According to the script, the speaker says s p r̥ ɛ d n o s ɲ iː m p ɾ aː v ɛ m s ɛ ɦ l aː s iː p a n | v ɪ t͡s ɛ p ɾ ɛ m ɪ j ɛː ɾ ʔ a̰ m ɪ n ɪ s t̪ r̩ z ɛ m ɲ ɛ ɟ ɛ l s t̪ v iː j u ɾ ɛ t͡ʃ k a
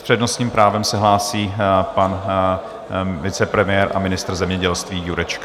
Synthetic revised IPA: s p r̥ ɛ d n o s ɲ iː m p ɾ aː v ɛ m s ɛ ɦ l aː s iː p a n | v ɪ t͡s ɛ p ɾ ɛ m ɪ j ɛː ɾ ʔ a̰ m ɪ n ɪ s t̪ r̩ z ɛ m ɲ ɛ ɟ ɛ l s t̪ v iː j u ɾ ɛ t͡ʃ k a